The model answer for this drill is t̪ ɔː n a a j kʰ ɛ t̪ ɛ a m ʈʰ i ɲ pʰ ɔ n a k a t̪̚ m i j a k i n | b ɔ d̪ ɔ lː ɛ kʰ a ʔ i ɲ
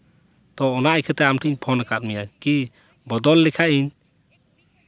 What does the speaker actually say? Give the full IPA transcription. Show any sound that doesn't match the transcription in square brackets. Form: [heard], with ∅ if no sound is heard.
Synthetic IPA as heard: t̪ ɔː n a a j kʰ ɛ t̪ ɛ a m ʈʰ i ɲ pʰ ɔ n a k a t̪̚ m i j a k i [∅] | b ɔ d̪ ɔ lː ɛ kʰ a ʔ i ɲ